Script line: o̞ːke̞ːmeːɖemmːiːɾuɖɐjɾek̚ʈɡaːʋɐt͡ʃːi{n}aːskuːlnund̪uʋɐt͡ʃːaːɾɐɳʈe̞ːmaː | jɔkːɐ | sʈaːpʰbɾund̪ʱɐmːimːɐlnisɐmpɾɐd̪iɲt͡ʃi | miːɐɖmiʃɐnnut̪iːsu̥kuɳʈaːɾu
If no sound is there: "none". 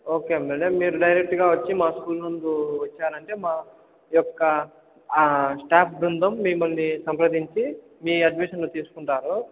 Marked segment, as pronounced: m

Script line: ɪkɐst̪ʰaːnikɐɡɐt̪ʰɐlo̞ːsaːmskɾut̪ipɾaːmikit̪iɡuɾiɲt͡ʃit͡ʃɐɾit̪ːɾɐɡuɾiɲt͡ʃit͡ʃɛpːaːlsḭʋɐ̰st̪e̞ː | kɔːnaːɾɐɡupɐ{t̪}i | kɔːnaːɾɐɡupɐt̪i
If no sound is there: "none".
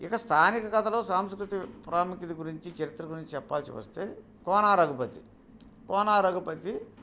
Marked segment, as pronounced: t̪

